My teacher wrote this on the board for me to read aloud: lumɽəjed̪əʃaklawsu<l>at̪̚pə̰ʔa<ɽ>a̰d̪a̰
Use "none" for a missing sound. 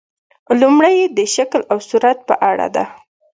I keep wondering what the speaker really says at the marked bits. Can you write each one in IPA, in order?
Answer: ɾ, ɽ

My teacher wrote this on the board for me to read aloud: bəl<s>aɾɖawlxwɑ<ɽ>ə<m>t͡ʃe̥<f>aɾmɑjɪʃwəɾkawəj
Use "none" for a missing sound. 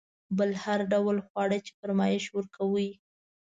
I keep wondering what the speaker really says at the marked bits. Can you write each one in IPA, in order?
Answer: h, ɽ, none, f

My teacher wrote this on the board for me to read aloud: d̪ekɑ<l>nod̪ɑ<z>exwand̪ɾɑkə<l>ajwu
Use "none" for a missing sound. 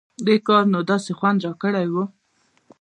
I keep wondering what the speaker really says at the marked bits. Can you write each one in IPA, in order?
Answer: ɾ, s, ɽ

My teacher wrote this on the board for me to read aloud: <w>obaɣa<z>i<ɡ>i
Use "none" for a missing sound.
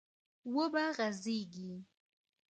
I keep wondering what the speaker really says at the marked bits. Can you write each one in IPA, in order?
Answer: w, z, ɡ

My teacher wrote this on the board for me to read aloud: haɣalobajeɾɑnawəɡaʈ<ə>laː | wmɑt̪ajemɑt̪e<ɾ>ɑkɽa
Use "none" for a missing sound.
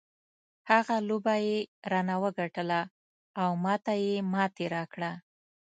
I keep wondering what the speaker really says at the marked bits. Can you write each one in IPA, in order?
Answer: ə, ɾ

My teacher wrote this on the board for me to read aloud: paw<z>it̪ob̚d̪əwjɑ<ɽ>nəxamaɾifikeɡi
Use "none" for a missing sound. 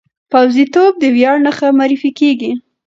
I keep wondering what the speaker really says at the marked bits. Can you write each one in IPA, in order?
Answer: z, ɽ

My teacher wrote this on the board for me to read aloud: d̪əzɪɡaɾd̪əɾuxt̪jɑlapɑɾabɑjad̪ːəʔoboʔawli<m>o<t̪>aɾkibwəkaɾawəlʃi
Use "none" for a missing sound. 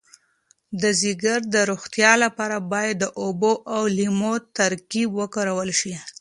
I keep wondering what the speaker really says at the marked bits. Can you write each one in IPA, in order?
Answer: m, t̪

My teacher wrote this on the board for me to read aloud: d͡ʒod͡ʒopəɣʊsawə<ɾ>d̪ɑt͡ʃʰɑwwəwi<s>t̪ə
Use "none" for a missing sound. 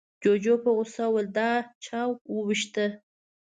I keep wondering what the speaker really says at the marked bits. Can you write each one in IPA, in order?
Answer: l, ʃ

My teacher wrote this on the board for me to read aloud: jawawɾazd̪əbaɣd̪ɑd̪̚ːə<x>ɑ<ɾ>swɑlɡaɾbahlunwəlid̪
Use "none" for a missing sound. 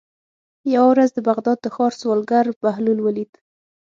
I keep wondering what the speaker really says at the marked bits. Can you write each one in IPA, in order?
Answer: x, ɾ

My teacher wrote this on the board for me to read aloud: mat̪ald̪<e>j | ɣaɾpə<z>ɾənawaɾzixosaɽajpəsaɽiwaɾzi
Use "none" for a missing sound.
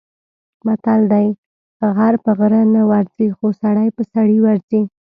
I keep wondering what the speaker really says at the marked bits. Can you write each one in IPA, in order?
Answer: a, ɣ

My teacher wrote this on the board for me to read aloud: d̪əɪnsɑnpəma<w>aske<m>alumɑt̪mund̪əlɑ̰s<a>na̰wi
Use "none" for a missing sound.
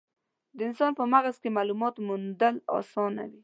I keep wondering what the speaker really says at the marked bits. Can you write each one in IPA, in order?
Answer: ɣ, m, ɑ

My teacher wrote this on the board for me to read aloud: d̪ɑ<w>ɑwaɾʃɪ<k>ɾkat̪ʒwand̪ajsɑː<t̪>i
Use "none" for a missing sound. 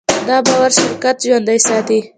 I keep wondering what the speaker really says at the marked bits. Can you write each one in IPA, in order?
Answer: b, none, t̪

